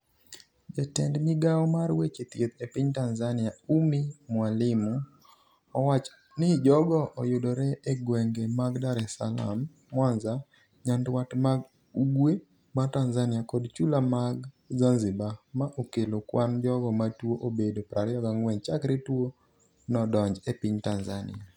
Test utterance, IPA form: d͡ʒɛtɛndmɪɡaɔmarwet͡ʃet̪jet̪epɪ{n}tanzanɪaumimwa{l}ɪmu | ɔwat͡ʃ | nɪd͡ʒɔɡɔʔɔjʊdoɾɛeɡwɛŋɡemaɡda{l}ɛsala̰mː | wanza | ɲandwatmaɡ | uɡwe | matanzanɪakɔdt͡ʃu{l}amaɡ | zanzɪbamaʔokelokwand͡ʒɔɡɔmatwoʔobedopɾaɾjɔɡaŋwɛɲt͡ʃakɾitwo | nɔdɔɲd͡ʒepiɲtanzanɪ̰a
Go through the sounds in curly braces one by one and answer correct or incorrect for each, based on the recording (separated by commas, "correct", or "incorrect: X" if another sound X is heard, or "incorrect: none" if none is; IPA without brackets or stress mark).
incorrect: ɲ, correct, incorrect: ɾ, correct